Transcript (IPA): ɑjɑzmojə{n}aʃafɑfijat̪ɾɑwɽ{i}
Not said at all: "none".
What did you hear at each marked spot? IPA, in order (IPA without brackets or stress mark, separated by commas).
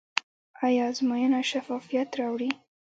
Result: n, i